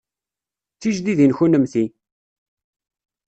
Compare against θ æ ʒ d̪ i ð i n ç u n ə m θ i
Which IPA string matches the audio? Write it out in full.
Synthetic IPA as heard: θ i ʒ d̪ i ð i n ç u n ə m θ i